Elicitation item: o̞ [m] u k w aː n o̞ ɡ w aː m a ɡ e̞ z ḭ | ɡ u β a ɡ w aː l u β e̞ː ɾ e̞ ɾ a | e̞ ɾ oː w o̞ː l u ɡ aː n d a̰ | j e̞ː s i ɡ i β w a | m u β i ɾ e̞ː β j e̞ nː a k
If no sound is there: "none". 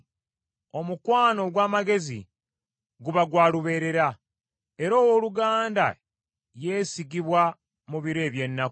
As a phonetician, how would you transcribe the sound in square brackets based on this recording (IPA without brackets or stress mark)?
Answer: m